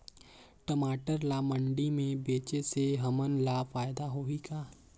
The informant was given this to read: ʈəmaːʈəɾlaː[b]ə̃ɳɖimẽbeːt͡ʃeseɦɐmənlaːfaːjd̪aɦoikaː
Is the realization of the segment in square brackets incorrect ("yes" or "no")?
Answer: yes